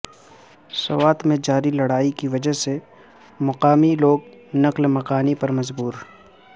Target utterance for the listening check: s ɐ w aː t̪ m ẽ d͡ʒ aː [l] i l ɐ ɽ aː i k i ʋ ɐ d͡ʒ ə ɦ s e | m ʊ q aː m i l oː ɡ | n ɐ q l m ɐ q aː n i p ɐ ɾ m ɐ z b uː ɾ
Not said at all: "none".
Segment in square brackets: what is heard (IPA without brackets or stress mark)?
ɾ